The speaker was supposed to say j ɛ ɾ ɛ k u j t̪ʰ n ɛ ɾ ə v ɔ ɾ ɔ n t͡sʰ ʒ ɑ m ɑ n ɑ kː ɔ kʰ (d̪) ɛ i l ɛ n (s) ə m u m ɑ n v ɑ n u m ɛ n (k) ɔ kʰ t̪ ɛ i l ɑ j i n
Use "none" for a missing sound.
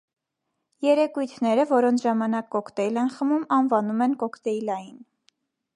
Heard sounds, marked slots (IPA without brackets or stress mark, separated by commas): t̪, χ, k